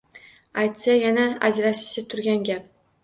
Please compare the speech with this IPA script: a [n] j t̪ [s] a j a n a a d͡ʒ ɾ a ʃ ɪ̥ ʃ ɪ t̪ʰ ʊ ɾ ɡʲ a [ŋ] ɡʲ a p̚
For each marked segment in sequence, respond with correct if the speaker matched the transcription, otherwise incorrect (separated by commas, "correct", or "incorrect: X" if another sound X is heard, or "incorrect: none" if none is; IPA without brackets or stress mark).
incorrect: none, correct, incorrect: n